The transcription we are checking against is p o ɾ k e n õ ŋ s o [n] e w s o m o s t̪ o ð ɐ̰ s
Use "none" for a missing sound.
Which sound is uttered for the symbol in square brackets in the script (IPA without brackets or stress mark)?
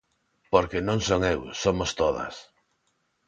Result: ŋ